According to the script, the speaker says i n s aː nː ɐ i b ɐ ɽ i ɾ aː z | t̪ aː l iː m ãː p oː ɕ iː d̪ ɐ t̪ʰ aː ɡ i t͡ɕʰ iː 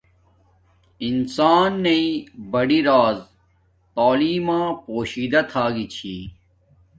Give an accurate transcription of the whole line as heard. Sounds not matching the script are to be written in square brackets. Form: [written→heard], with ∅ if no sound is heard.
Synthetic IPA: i n s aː nː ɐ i b ɐ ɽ i ɾ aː z | t̪ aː l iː m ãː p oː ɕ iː d̪ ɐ t̪ʰ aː ɡ i t͡ɕʰ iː